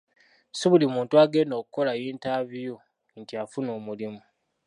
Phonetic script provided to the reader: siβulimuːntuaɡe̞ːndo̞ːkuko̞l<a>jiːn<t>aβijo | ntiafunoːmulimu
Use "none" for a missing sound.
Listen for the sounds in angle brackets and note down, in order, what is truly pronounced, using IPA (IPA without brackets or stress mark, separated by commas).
a, t